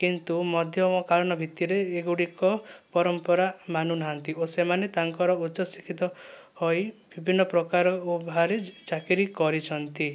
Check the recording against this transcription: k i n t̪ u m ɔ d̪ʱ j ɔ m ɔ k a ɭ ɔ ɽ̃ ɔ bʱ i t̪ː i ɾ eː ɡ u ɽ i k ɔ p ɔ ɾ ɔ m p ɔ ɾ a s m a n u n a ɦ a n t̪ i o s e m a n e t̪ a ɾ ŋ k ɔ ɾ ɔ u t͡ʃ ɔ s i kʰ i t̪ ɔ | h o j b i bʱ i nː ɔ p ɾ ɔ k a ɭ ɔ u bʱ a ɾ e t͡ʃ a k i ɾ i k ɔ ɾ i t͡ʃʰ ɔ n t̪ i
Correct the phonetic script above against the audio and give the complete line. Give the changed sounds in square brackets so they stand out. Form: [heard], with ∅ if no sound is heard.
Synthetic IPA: k i n t̪ u m ɔ d̪ʱ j ɔ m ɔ k a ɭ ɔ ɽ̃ ɔ bʱ i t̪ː i ɾ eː ɡ u ɽ i k ɔ p ɔ ɾ ɔ m p ɔ ɾ a [∅] m a n u n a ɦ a n t̪ i o s e m a n e t̪ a [∅] ŋ k ɔ ɾ ɔ u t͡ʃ ɔ s i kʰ i t̪ ɔ | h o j b i bʱ i nː ɔ p ɾ ɔ k a [ɾ] ɔ u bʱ a ɾ e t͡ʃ a k i ɾ i k ɔ ɾ i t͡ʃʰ ɔ n t̪ i